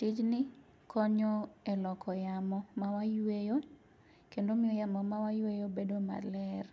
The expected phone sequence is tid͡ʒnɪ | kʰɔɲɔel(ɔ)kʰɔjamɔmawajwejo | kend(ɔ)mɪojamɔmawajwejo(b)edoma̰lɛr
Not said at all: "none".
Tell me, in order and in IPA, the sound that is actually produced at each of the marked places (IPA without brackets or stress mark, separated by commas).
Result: ɔ, o, b